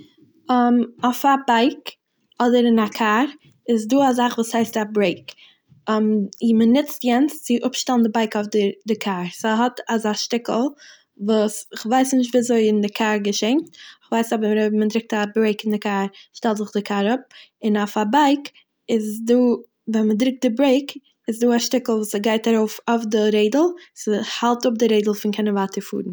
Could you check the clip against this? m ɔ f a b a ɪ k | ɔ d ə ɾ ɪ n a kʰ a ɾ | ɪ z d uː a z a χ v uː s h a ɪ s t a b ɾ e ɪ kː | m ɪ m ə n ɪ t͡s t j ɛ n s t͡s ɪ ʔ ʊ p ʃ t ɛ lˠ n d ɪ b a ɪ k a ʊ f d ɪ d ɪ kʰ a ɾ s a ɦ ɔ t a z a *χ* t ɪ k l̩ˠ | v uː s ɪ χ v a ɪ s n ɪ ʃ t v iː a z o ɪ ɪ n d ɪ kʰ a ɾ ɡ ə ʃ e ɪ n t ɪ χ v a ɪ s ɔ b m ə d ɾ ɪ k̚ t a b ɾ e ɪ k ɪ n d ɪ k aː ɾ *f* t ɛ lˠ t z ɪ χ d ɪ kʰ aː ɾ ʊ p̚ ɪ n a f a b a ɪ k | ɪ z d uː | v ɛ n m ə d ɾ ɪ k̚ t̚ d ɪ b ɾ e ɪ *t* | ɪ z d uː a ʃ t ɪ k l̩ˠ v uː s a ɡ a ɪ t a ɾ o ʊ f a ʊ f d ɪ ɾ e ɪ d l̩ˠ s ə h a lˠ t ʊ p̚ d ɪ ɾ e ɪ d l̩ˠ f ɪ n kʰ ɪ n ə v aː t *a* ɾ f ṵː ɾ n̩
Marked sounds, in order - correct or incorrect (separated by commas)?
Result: incorrect, incorrect, incorrect, incorrect